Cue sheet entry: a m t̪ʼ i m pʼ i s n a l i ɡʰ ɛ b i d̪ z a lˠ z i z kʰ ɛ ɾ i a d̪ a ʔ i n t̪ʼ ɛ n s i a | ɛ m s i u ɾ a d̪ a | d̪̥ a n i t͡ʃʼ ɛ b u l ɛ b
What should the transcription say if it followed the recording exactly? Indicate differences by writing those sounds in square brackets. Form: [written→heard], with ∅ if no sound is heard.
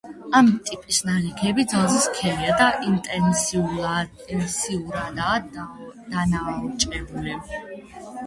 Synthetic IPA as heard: a m t̪ʼ i [m→∅] pʼ i s n a l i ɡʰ ɛ b i d̪ z a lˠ z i [z→s] kʰ ɛ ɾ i a d̪ a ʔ i n t̪ʼ ɛ n s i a | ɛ [m→n] s i u ɾ a d̪ a | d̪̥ a n [i→a] t͡ʃʼ ɛ b u l ɛ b

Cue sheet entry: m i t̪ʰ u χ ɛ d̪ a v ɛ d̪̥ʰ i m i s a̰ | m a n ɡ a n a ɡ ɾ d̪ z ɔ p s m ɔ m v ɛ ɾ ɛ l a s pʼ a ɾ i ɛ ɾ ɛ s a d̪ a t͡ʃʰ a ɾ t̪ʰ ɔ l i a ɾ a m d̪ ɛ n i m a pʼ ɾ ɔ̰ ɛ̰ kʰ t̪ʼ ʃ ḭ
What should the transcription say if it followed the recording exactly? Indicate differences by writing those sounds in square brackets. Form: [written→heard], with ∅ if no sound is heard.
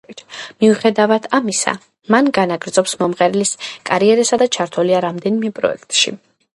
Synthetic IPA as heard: m i [t̪ʰ→∅] u χ ɛ d̪ a v [ɛ→a] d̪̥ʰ [i→a] m i s a̰ | m a n ɡ a n a ɡ ɾ d̪ z ɔ p s m ɔ m [v→ʁ] ɛ ɾ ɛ l [a→i] s [pʼ→kʼ] a ɾ i ɛ ɾ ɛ s a d̪ a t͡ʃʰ a ɾ t̪ʰ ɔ l i a ɾ a m d̪ ɛ n i m [a→ɛ] pʼ ɾ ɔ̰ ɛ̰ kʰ t̪ʼ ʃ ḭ

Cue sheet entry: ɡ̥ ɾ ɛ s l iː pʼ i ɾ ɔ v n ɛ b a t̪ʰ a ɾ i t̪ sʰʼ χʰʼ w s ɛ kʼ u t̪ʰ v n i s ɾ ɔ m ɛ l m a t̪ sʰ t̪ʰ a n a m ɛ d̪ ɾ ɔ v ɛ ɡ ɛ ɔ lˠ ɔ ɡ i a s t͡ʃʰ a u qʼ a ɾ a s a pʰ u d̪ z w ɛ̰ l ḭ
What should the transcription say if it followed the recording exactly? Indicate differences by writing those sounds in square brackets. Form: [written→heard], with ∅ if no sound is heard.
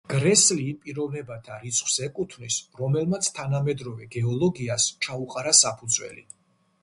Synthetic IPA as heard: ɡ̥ ɾ ɛ s l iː pʼ i ɾ ɔ v n ɛ b a t̪ʰ a ɾ i t̪ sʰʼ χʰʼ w s ɛ kʼ u t̪ʰ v n i s ɾ ɔ m ɛ l m a t̪ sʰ t̪ʰ a n a m ɛ d̪ ɾ ɔ v ɛ ɡ ɛ ɔ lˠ ɔ ɡ i a s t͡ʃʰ a u qʼ a ɾ a s a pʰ u d̪ z w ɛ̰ l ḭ

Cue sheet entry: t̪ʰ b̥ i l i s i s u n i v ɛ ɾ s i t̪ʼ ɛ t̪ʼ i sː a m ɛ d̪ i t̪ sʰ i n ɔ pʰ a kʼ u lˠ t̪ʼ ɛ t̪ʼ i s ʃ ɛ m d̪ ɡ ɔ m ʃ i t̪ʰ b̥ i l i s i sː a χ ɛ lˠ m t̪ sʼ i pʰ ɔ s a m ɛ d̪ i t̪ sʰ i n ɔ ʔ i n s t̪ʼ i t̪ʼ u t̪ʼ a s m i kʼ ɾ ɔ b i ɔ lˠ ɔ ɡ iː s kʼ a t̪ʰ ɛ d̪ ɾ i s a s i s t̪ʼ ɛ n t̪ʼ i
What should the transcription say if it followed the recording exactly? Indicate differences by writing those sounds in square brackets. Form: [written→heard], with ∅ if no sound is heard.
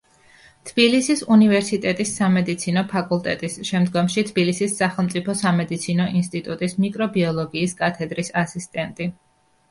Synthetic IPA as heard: t̪ʰ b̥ i l i s i s u n i v ɛ ɾ s i t̪ʼ ɛ t̪ʼ i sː a m ɛ d̪ i t̪ sʰ i n ɔ pʰ a kʼ u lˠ t̪ʼ ɛ t̪ʼ i s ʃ ɛ m d̪ ɡ ɔ m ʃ i t̪ʰ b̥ i l i s i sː a χ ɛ lˠ m t̪ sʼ i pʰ ɔ s a m ɛ d̪ i t̪ sʰ i n ɔ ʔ i n s t̪ʼ i t̪ʼ u t̪ʼ [a→i] s m i kʼ ɾ ɔ b i ɔ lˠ ɔ ɡ iː s kʼ a t̪ʰ ɛ d̪ ɾ i s a s i s t̪ʼ ɛ n t̪ʼ i

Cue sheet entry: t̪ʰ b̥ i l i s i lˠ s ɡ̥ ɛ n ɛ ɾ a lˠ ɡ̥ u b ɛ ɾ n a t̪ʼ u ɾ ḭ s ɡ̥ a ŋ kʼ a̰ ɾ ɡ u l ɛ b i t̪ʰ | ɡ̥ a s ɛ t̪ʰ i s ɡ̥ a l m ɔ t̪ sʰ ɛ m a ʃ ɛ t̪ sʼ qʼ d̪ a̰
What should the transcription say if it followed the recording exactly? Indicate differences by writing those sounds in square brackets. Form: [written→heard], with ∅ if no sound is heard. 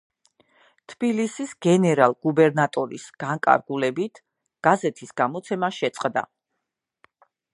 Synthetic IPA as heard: t̪ʰ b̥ i l i s i [lˠ→∅] s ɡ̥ ɛ n ɛ ɾ a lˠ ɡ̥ u b ɛ ɾ n a t̪ʼ [u→ɔ] ɾ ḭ s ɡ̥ a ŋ kʼ a̰ ɾ ɡ u l ɛ b i t̪ʰ | ɡ̥ a [s→z] ɛ t̪ʰ i s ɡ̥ a [l→∅] m ɔ t̪ sʰ ɛ m a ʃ ɛ t̪ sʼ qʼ d̪ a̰

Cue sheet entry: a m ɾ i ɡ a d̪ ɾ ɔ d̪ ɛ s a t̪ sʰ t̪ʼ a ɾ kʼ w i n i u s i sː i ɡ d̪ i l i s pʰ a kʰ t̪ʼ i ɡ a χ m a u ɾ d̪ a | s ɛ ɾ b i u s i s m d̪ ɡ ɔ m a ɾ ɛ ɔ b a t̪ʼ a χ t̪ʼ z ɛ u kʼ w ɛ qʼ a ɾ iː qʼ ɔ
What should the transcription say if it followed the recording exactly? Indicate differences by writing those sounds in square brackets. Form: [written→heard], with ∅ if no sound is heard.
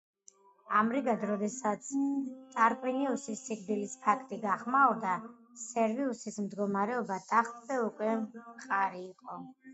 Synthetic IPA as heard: a m ɾ i ɡ a d̪ ɾ ɔ d̪ ɛ s a t̪ sʰ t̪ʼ a ɾ kʼ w i n i u s i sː i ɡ d̪ i l i s pʰ a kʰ t̪ʼ i ɡ a χ m a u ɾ d̪ a | s ɛ ɾ [b→v] i u s i s m d̪ ɡ ɔ m a ɾ ɛ ɔ b a t̪ʼ a χ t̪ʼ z ɛ u kʼ w ɛ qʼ a ɾ iː qʼ ɔ

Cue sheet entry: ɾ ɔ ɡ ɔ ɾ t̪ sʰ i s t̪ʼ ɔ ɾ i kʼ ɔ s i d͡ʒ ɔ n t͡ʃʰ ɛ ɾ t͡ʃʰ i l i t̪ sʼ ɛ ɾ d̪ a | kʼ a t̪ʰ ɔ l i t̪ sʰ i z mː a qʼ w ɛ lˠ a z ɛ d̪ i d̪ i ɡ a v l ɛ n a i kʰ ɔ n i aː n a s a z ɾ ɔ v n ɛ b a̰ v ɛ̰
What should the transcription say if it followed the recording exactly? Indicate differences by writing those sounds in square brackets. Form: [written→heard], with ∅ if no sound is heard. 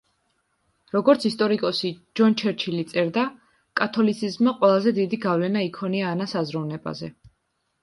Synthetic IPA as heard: ɾ ɔ ɡ ɔ ɾ t̪ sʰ i s t̪ʼ ɔ ɾ i kʼ ɔ s i d͡ʒ ɔ n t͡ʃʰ ɛ ɾ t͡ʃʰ i l i t̪ sʼ ɛ ɾ d̪ a | kʼ a t̪ʰ ɔ l i t̪ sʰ i z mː a qʼ w ɛ lˠ a z ɛ d̪ i d̪ i ɡ a v l ɛ n a i kʰ ɔ n i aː n a s a z ɾ ɔ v n ɛ b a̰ [v→z] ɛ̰

